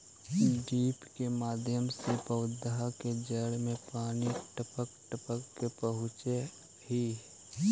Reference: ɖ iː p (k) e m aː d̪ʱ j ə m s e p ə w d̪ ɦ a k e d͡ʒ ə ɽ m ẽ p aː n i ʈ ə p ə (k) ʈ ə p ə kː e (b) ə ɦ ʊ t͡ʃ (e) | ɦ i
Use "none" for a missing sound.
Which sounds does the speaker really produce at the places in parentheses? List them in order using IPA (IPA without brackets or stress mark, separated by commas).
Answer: k, k, p, e